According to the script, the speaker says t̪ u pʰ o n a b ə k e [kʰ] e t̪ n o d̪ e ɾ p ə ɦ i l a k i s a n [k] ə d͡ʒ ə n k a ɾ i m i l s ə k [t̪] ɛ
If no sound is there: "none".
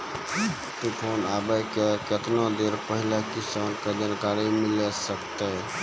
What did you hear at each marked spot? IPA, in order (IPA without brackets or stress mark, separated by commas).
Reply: k, k, t̪